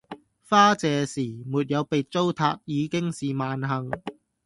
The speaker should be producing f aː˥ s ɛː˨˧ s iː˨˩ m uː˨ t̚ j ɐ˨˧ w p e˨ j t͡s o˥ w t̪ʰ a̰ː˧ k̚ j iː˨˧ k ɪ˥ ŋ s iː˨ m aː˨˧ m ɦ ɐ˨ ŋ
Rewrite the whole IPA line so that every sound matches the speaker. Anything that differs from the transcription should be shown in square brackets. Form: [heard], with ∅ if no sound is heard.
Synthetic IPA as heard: f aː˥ [t͡s] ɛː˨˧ s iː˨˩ m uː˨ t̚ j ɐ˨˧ w p e˨ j t͡s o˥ w t̪ʰ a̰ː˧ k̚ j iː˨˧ k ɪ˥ ŋ s iː˨ m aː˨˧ [n] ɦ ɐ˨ ŋ